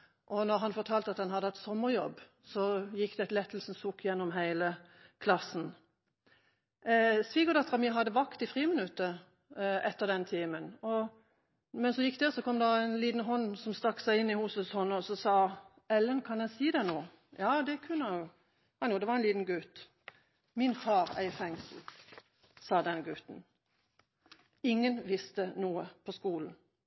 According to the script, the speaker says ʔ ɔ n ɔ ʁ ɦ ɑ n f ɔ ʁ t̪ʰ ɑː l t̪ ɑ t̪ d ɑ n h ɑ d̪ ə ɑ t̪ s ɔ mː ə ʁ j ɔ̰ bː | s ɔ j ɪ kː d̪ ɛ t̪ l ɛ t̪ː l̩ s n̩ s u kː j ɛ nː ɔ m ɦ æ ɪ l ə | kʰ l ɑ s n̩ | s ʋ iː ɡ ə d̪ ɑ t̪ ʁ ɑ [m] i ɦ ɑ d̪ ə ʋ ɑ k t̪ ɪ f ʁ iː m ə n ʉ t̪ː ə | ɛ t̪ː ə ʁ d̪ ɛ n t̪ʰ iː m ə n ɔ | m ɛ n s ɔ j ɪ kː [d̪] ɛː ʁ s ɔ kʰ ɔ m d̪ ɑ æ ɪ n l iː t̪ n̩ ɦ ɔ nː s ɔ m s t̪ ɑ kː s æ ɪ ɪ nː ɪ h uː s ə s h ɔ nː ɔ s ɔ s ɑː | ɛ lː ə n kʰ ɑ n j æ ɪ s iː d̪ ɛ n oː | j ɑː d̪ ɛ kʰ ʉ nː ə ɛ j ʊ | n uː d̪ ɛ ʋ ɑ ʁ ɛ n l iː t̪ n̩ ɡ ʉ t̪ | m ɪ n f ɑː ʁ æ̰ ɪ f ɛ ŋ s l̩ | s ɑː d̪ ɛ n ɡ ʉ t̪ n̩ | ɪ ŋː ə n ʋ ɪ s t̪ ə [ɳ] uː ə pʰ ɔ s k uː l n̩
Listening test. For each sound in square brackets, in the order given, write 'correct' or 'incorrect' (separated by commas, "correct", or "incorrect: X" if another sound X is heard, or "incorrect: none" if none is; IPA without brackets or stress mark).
correct, correct, incorrect: n